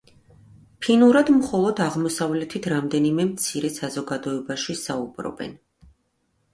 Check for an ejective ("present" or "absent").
absent